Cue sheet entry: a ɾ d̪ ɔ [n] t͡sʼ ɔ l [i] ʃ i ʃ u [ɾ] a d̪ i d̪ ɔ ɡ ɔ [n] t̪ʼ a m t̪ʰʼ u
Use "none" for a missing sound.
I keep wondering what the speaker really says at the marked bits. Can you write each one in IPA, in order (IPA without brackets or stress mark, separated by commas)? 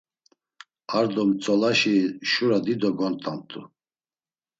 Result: m, a, ɾ, n